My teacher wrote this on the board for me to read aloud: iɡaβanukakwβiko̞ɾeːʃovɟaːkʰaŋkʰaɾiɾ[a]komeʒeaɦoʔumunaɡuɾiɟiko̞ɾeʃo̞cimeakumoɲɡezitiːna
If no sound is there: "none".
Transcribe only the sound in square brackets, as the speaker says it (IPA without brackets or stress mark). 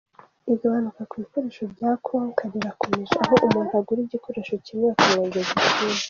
a